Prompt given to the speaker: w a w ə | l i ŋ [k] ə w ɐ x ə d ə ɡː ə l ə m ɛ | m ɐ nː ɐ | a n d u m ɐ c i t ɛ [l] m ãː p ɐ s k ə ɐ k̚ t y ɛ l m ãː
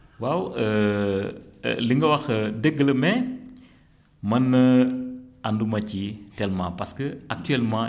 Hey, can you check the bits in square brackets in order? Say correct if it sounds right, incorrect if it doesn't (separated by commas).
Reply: incorrect, correct